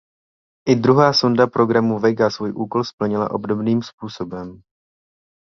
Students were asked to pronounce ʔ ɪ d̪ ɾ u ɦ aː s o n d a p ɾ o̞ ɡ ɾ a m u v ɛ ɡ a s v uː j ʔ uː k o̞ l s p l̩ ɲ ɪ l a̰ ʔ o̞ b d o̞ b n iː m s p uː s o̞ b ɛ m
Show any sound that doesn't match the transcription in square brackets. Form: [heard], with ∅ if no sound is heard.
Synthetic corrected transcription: ʔ ɪ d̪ ɾ u ɦ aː s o n d a p ɾ o̞ ɡ ɾ a m u v ɛ ɡ a s v uː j ʔ uː k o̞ l s p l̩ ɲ ɪ l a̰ ʔ o̞ b d o̞ b n iː m s p uː s o̞ b ɛ m